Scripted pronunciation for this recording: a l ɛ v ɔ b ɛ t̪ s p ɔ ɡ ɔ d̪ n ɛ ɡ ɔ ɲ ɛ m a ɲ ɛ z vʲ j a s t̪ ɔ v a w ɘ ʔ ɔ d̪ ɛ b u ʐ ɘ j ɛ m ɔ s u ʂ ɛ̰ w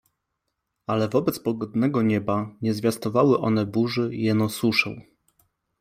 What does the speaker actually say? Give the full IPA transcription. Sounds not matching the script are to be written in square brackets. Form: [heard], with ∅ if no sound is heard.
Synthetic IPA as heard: a l ɛ v ɔ b ɛ t̪ s p ɔ ɡ ɔ d̪ n ɛ ɡ ɔ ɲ ɛ [b] a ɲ ɛ z vʲ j a s t̪ ɔ v a w ɘ ʔ ɔ [n̪] ɛ b u ʐ ɘ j ɛ [n] ɔ s u ʂ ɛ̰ w